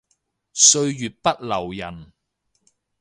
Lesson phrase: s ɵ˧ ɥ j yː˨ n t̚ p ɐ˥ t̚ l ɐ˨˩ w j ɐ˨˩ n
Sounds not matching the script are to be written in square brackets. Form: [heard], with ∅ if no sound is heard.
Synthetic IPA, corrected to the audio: s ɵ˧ ɥ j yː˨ [∅] t̚ p ɐ˥ t̚ l ɐ˨˩ w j ɐ˨˩ n